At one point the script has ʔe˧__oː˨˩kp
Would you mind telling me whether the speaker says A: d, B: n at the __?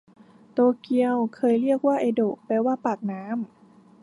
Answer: A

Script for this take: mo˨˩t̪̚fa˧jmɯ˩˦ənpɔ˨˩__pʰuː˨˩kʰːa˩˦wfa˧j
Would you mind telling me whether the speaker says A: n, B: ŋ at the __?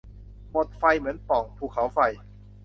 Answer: B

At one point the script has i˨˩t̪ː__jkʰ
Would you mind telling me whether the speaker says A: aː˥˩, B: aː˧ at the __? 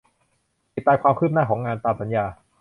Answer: B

